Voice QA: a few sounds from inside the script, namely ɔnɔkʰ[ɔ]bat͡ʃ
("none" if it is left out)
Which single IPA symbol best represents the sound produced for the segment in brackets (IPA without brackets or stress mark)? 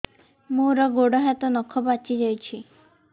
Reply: ɔ